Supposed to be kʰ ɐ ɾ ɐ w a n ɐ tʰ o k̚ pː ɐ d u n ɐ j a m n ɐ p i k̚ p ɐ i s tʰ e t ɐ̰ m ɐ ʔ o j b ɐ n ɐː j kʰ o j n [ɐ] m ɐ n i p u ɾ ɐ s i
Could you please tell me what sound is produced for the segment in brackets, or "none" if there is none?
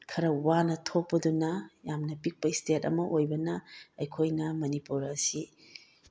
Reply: ɐ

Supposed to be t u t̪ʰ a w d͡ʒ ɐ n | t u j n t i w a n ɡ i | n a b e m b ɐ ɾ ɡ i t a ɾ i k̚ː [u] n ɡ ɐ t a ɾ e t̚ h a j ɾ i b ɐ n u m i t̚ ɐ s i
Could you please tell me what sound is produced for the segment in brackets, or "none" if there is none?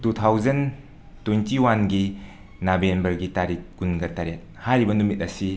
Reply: u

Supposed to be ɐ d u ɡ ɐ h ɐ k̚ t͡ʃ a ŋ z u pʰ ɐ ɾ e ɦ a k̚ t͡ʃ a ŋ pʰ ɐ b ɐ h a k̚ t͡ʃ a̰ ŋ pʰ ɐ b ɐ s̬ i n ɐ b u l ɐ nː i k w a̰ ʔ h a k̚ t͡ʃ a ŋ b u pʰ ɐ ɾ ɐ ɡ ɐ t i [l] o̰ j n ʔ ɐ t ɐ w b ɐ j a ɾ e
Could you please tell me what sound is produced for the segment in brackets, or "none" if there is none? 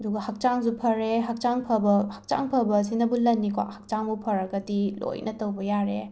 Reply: l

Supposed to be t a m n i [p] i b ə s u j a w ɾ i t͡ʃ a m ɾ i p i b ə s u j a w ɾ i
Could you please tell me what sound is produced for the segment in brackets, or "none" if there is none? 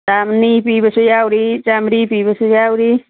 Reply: p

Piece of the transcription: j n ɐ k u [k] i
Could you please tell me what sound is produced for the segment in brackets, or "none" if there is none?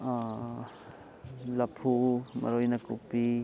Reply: p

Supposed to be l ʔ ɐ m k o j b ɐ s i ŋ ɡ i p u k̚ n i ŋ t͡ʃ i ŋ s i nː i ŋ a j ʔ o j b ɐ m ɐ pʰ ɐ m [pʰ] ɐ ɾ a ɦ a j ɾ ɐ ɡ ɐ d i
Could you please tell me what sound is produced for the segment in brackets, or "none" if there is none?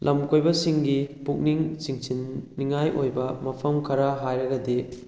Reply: kʰ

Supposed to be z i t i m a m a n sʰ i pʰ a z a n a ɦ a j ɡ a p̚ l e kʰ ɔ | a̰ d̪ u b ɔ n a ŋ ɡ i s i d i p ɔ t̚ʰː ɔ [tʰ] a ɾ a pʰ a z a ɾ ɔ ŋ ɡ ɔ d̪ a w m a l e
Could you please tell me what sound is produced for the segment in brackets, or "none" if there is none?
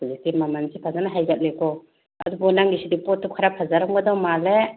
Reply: kʰ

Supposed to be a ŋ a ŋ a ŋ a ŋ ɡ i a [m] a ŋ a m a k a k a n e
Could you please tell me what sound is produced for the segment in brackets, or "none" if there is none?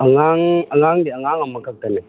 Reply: ŋ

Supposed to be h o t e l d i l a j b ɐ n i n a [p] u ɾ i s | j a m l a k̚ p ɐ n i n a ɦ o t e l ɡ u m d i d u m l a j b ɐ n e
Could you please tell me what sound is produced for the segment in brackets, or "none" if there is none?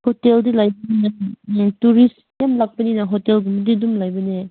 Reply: t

